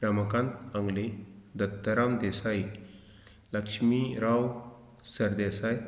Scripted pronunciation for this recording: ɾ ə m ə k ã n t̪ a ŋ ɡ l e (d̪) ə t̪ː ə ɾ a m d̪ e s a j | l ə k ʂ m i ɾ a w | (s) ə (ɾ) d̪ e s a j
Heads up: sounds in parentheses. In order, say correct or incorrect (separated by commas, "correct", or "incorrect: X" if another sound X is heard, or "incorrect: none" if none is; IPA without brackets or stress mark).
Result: correct, correct, correct